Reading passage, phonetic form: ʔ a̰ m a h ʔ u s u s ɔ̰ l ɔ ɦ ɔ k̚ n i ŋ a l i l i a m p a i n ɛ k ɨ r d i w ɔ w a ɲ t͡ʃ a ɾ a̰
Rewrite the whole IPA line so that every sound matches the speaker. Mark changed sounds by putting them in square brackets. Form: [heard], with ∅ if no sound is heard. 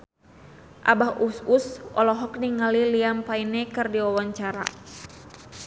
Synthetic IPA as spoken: ʔ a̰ [b] a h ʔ u s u s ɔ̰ l ɔ ɦ ɔ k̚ n i ŋ a l i l i a m p a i n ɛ k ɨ r d i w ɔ w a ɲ t͡ʃ a ɾ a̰